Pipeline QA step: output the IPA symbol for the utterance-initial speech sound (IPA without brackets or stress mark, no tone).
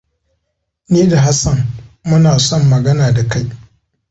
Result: n